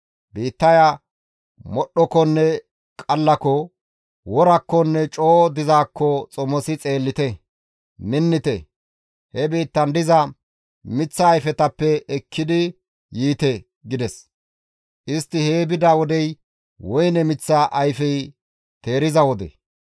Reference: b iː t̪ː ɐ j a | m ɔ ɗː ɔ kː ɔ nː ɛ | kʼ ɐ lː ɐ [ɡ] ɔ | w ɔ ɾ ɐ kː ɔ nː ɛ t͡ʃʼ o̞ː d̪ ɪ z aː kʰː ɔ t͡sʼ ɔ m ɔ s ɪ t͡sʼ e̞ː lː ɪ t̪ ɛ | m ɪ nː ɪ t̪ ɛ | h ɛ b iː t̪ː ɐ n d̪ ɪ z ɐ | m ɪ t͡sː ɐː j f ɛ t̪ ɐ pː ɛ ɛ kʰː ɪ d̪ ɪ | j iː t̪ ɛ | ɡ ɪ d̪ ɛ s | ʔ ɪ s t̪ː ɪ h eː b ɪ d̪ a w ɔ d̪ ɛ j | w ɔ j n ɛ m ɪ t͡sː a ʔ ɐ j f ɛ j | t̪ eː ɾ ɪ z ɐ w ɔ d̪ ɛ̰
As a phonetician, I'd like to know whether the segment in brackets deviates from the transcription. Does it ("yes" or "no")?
yes